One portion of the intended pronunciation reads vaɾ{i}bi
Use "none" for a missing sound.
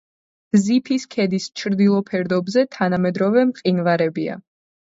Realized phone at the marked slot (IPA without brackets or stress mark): ɛ